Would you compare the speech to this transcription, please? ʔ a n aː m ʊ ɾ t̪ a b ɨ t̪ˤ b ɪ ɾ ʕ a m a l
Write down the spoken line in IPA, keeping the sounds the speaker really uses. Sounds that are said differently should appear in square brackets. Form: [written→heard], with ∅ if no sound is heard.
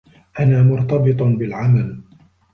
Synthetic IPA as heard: ʔ a n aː m ʊ ɾ t̪ [a→ɑ] b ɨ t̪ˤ b ɪ [ɾ→l] ʕ a m a l